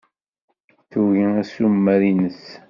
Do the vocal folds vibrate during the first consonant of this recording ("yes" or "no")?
no